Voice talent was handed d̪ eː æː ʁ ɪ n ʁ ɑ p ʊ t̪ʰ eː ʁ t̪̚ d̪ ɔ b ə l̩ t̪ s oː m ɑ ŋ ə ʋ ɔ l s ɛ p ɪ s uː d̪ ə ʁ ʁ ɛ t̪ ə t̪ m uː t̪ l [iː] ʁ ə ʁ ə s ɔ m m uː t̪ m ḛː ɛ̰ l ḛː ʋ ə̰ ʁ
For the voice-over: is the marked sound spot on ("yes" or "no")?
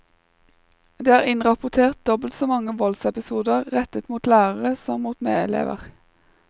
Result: no